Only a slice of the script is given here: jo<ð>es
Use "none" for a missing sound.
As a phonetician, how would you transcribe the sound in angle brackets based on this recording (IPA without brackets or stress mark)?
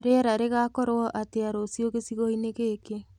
ɣ